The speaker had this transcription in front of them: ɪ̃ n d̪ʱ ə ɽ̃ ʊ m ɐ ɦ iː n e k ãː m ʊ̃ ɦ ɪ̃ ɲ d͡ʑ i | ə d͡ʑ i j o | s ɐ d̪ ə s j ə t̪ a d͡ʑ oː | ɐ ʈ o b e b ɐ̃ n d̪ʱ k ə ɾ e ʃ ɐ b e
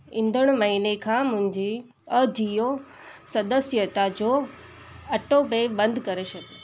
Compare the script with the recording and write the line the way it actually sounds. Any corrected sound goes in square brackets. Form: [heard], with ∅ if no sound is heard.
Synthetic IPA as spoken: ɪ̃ n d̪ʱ ə ɽ̃ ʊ m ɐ ɦ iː n e [kʰ] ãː m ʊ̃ ɦ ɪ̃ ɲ d͡ʑ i | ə d͡ʑ i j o | s ɐ d̪ ə s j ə t̪ a d͡ʑ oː | ɐ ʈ o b e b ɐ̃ n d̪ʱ k [ɐ] ɾ e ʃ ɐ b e